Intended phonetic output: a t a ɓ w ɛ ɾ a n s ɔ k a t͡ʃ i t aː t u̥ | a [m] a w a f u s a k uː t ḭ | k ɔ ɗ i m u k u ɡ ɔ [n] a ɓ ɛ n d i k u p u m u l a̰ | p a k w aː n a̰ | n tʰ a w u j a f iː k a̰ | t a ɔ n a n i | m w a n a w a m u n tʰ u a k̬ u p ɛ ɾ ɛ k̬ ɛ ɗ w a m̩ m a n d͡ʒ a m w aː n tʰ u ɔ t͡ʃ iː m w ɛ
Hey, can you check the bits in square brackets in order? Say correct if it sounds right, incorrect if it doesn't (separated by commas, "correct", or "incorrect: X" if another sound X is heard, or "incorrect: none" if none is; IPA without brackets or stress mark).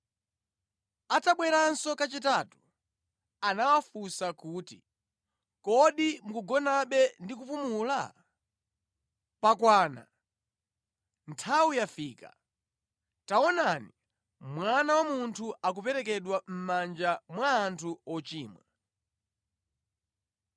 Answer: incorrect: n, correct